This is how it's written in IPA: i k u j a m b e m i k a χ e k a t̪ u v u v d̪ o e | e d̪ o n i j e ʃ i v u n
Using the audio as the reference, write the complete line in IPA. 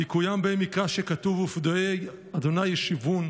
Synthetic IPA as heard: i k u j a m b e m i k a ʃ e k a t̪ u v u f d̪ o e | a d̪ o n a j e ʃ i v u n